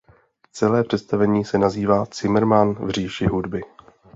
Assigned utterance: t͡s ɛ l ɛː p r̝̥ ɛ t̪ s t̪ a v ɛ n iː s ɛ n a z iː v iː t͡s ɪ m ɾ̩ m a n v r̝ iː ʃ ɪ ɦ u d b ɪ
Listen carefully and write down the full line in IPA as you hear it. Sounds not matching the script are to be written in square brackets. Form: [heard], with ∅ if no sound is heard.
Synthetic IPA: t͡s ɛ l ɛː p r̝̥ ɛ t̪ s t̪ a v ɛ [ɲ] iː s ɛ n a z iː v [aː] t͡s ɪ m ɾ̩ m a n v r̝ iː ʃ ɪ ɦ u d b ɪ